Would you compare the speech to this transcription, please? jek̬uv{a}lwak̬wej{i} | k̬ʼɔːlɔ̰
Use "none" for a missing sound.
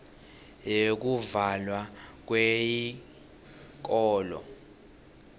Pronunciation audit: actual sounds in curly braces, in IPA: a, i

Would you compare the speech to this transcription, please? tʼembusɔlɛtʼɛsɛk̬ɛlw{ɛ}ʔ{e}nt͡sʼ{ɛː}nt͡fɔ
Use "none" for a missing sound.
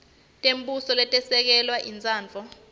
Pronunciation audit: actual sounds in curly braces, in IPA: a, i, aː

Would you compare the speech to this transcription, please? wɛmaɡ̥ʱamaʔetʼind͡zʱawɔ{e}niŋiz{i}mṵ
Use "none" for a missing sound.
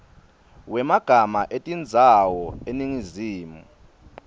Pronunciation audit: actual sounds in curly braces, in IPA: e, iː

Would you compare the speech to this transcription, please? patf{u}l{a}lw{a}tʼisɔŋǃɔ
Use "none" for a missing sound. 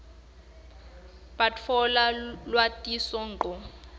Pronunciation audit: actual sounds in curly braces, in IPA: ɔ, a, a

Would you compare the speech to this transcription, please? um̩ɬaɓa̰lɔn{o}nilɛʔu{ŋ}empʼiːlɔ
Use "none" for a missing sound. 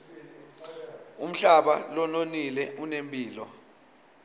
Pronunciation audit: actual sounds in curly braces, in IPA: o, n

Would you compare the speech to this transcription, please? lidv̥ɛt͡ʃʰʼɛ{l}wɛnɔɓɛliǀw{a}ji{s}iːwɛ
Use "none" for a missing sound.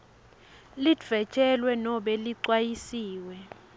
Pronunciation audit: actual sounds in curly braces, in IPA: l, a, s

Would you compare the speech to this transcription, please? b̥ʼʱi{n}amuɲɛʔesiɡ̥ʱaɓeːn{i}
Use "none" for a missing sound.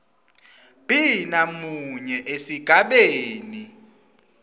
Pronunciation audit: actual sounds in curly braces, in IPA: n, i

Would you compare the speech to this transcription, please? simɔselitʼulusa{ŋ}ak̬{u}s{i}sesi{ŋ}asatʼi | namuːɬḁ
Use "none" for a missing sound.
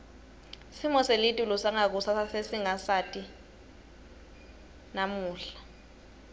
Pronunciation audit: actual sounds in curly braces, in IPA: ŋ, u, a, ŋ

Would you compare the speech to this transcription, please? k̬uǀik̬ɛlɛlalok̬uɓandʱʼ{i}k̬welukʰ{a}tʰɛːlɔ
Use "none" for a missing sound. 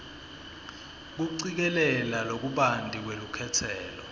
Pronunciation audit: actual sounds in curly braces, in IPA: i, ɛ

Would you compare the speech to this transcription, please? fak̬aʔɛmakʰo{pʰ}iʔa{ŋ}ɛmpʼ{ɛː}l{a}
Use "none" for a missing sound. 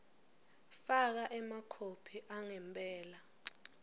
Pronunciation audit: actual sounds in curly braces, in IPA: pʰ, ŋ, ɛː, a

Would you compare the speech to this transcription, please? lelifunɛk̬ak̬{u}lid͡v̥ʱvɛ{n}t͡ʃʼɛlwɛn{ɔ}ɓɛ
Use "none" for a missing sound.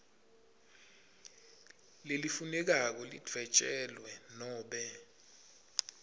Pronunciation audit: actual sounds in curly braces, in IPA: ɔ, none, ɔː

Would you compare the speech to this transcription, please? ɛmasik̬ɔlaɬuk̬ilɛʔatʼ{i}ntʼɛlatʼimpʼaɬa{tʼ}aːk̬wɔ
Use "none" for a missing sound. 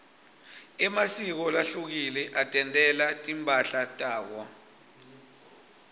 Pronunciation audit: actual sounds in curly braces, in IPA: ɛ, tʼ

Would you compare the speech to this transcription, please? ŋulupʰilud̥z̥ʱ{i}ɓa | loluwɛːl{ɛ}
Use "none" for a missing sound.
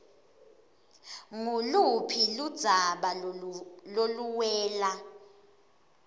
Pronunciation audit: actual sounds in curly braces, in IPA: a, a

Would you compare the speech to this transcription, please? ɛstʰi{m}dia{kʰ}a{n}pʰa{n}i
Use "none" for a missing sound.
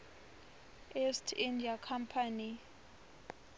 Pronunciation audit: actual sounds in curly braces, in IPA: n, kʰ, m, n

